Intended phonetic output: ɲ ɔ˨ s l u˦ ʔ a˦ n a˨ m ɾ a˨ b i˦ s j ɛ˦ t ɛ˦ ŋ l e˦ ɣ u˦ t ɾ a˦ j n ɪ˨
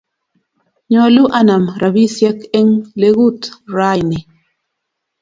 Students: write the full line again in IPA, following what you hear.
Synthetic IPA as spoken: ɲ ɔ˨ l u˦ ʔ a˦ n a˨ m ɾ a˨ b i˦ s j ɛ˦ k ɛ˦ ŋ l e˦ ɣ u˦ t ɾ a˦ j n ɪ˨